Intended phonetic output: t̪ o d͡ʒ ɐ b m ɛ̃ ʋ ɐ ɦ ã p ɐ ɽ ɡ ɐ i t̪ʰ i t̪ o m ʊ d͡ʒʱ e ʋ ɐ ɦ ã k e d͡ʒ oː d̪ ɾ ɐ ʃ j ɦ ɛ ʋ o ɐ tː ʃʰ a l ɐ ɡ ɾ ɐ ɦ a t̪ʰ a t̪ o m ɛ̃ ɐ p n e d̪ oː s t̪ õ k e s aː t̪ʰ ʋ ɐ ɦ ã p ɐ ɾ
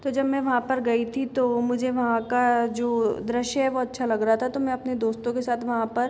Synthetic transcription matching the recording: t̪ o d͡ʒ ɐ b m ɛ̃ ʋ ɐ ɦ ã p ɐ ɾ ɡ ɐ i t̪ʰ i t̪ o m ʊ d͡ʒʱ e ʋ ɐ ɦ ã k a d͡ʒ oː d̪ ɾ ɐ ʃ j ɦ ɛ ʋ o ɐ tː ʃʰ a l ɐ ɡ ɾ ɐ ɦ a t̪ʰ a t̪ o m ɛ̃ ɐ p n e d̪ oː s t̪ õ k e s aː t̪ʰ ʋ ɐ ɦ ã p ɐ ɾ